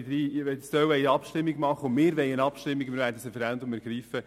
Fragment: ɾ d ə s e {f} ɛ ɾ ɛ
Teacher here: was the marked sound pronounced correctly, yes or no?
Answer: yes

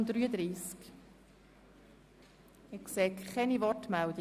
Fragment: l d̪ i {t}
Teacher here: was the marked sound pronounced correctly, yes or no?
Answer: no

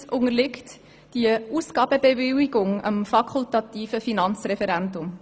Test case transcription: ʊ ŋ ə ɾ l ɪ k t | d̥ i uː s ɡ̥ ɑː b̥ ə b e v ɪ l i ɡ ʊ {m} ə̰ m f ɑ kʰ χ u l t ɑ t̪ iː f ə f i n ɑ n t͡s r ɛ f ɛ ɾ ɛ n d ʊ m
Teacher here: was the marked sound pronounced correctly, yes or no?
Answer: no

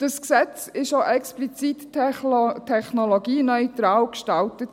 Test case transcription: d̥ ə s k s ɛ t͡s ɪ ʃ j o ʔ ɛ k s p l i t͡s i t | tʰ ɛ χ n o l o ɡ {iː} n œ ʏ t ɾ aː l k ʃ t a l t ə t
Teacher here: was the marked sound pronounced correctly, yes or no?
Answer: yes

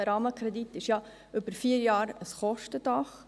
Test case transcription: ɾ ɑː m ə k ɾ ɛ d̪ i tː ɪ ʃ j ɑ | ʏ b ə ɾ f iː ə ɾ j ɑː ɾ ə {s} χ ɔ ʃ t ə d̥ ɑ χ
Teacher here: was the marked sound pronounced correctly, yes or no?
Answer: yes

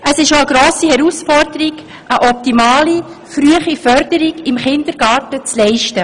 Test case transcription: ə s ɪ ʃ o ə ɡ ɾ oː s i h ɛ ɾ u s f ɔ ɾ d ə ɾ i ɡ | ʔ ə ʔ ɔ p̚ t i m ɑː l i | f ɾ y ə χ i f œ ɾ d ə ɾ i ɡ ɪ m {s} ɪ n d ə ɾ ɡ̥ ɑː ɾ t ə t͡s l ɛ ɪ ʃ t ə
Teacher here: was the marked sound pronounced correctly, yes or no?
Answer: no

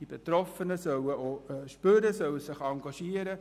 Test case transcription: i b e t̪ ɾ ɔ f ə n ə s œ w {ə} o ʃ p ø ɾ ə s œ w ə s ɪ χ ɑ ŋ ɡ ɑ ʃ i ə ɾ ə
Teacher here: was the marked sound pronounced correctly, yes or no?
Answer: yes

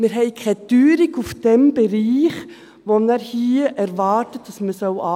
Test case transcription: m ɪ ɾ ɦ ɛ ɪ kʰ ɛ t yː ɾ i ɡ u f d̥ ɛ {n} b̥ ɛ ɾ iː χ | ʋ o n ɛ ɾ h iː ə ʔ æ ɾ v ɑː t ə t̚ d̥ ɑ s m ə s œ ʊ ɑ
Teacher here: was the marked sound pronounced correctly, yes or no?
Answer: no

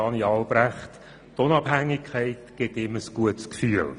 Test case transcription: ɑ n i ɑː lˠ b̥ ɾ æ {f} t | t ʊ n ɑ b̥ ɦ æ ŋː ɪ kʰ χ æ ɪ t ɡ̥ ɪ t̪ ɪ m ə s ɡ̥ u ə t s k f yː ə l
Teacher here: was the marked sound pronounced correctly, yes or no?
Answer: no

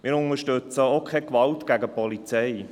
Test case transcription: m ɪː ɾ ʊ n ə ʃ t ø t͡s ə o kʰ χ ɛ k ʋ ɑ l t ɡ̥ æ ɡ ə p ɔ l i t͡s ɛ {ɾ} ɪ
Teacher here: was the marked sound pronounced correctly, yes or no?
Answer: no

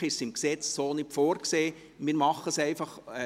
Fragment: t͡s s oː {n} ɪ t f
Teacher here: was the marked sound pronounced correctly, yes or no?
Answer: yes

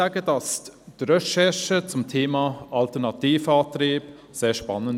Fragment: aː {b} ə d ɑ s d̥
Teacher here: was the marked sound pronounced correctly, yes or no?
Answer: no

